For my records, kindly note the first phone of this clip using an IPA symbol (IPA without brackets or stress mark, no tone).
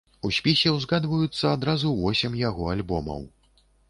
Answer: u